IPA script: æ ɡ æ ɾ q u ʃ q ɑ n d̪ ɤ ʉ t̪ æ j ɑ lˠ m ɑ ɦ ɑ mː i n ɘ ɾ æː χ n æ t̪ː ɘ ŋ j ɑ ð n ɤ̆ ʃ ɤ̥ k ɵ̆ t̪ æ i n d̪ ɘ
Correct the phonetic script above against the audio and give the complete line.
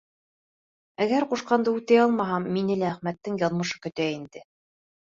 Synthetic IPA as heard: æ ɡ æ ɾ q u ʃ q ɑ n d̪ ɤ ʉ t̪ æ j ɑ lˠ m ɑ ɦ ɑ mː i n ɘ l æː χ m æ t̪ː ɘ ŋ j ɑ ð m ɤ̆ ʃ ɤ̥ k ɵ̆ t̪ æ i n d̪ ɘ